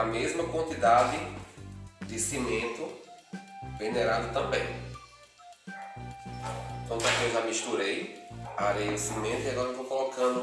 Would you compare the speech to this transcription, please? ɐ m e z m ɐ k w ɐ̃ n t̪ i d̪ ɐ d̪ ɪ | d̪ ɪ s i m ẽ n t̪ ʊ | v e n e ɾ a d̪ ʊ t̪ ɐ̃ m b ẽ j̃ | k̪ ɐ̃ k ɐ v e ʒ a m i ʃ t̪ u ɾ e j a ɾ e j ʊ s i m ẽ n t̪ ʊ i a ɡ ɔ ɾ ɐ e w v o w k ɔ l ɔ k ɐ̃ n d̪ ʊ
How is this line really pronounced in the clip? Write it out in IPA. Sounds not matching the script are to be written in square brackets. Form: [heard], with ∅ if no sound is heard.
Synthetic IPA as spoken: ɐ m e z m ɐ k w ɐ̃ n t̪ i d̪ [a] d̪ ɪ | d̪ ɪ s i m ẽ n t̪ ʊ | v e n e ɾ a d̪ ʊ t̪ ɐ̃ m b ẽ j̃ | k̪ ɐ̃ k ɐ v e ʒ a m i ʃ t̪ u ɾ e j a ɾ e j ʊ s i m ẽ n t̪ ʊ i a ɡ ɔ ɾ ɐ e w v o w k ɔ l ɔ k ɐ̃ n d̪ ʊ

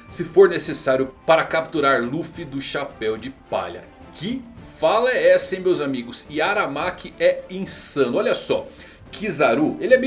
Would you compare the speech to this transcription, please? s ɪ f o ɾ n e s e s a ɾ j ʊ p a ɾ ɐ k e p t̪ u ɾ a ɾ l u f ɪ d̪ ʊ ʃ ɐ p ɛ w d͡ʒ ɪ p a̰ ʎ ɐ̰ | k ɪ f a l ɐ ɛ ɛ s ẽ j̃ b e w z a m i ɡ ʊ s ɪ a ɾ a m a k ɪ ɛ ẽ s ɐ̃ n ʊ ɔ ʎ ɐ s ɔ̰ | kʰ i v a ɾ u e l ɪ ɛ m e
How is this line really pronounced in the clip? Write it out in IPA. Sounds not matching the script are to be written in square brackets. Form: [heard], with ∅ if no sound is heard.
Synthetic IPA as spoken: s ɪ f o ɾ n e s e s a ɾ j ʊ p a ɾ ɐ k [a] p t̪ u ɾ a ɾ l u f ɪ d̪ ʊ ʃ [a] p ɛ w d͡ʒ ɪ p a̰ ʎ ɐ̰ | k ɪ f a l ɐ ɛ ɛ s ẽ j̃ [m] e w z a m i ɡ ʊ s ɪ a ɾ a m a k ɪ ɛ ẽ s ɐ̃ n ʊ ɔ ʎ ɐ s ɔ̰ | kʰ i [z] a ɾ u e l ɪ ɛ m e

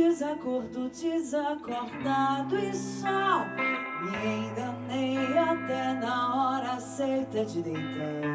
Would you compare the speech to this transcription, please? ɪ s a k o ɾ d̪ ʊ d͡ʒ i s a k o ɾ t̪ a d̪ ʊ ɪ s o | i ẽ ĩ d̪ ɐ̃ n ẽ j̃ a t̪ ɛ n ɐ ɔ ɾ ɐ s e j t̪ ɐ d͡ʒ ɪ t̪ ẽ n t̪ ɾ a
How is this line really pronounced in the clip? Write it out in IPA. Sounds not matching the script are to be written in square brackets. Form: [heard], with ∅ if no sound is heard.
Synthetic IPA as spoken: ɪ [z] a k o ɾ d̪ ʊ d͡ʒ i [z] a k o ɾ [d̪] a d̪ ʊ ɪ s [ɔ] | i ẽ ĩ d̪ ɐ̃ n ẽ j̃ a t̪ ɛ n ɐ ɔ ɾ ɐ s e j t̪ ɐ d͡ʒ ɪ [d̪] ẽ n t̪ ɾ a

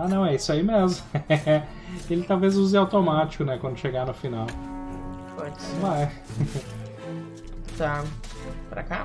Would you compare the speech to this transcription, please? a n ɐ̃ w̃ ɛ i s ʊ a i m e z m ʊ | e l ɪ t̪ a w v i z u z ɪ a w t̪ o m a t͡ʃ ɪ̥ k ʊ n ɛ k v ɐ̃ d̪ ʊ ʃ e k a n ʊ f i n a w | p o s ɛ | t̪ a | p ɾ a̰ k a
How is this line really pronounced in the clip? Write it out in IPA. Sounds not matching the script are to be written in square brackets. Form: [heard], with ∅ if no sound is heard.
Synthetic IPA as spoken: a n ɐ̃ w̃ ɛ i s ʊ a i m e z m ʊ | e l ɪ t̪ a w v [e] z u z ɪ a w t̪ o m a t͡ʃ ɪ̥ k ʊ n ɛ k [w] ɐ̃ d̪ ʊ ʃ e [ɡ] a n ʊ f i n a w | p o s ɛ | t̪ a | p ɾ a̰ k a

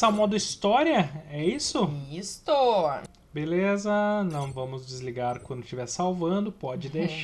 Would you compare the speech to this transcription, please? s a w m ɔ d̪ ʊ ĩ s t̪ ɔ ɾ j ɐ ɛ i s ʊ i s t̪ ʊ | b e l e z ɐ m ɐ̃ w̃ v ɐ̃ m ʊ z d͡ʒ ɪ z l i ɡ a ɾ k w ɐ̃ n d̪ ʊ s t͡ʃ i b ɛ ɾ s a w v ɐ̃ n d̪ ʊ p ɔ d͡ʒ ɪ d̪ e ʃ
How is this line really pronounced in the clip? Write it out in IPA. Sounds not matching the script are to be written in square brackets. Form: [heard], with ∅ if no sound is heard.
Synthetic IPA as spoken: s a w m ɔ d̪ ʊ [i] s t̪ ɔ ɾ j ɐ ɛ i s ʊ i s t̪ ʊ | b e l e z ɐ [n] ɐ̃ w̃ v ɐ̃ m ʊ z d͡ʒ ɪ z l i ɡ a ɾ k w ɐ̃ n d̪ ʊ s t͡ʃ i [v] ɛ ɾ s a w v ɐ̃ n d̪ ʊ p ɔ d͡ʒ ɪ d̪ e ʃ

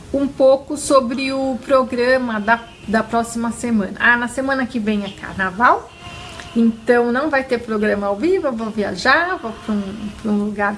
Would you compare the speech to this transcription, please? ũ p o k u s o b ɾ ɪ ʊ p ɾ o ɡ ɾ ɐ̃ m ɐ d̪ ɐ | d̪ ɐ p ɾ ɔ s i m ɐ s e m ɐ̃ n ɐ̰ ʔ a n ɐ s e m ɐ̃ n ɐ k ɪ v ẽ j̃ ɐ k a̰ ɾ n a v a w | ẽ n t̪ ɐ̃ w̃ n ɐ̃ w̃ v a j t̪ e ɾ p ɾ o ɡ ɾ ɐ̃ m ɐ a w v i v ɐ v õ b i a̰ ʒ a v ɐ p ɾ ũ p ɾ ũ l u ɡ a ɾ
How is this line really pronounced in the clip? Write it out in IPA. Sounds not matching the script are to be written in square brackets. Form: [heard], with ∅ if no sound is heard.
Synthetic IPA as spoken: ũ p o k [ʊ] s o b ɾ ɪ ʊ p ɾ o ɡ ɾ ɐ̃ m ɐ d̪ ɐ | d̪ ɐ p ɾ ɔ s i m ɐ s e m ɐ̃ n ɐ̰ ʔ a n ɐ s e m ɐ̃ n ɐ k ɪ v ẽ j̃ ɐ k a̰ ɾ n a v a w | ẽ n t̪ ɐ̃ w̃ n ɐ̃ w̃ v a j t̪ e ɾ p ɾ o ɡ ɾ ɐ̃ m ɐ a w v i v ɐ v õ [v] i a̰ ʒ a v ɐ p ɾ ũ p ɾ ũ l u ɡ a ɾ

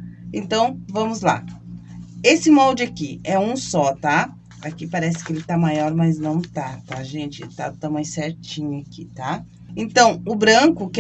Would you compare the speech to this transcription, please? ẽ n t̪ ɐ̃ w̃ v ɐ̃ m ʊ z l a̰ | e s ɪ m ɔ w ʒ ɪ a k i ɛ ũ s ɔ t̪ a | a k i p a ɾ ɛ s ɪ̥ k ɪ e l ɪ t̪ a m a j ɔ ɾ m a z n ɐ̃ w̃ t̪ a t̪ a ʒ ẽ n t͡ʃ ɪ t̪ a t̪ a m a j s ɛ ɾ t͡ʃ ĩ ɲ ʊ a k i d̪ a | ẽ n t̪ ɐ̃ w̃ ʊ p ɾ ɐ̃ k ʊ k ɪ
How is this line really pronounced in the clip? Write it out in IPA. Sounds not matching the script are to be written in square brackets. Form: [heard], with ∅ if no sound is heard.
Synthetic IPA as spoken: ẽ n t̪ ɐ̃ w̃ v ɐ̃ m ʊ z l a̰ | e s ɪ m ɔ w [d͡ʒ] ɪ a k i ɛ ũ s ɔ t̪ a | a k i p a ɾ ɛ s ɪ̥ k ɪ e l ɪ t̪ a m a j ɔ ɾ m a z n ɐ̃ w̃ t̪ a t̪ a ʒ ẽ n t͡ʃ ɪ t̪ a t̪ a m a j s ɛ ɾ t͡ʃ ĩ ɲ ʊ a k i [t̪] a | ẽ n t̪ ɐ̃ w̃ ʊ [b] ɾ ɐ̃ k ʊ k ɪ

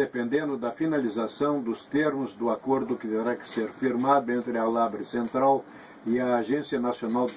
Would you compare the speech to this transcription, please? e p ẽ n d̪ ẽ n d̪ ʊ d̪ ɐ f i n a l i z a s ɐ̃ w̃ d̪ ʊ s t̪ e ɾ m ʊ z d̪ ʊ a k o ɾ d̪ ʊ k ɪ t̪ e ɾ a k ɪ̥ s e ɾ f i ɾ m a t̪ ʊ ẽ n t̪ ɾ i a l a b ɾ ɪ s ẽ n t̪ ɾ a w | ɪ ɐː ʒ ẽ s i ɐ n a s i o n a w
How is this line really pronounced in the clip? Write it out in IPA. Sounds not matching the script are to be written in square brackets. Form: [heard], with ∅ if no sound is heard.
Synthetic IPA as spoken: e p ẽ n d̪ ẽ n d̪ ʊ d̪ ɐ f i n a l i z a s ɐ̃ w̃ d̪ ʊ s t̪ e ɾ m ʊ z d̪ ʊ a k o ɾ d̪ ʊ k ɪ t̪ e ɾ a k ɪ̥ s e ɾ f i ɾ m a [d̪] ʊ ẽ n t̪ ɾ [ɪ] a l a b ɾ ɪ s ẽ n t̪ ɾ a w | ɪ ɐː ʒ ẽ s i ɐ n a s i o n a w

